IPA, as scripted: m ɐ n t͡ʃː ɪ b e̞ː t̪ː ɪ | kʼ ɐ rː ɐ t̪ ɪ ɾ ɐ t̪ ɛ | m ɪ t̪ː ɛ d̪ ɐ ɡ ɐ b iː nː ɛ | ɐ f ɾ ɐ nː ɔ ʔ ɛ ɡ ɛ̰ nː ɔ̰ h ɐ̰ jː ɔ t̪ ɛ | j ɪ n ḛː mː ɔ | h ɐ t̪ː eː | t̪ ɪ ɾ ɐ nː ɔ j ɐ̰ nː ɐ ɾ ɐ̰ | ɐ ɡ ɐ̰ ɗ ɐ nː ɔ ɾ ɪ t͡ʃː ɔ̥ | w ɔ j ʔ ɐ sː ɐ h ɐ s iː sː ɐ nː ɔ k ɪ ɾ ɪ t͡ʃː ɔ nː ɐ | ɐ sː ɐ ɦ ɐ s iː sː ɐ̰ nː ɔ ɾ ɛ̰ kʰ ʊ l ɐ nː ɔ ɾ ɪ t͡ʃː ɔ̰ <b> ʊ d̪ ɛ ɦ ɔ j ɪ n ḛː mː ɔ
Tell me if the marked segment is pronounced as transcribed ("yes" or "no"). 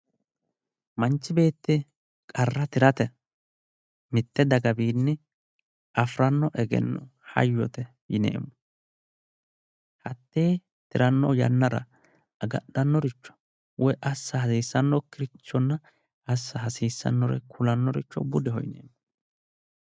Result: yes